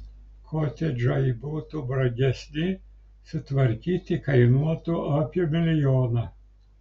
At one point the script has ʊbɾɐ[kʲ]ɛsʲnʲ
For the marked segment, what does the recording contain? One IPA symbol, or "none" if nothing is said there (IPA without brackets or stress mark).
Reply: ɡʲ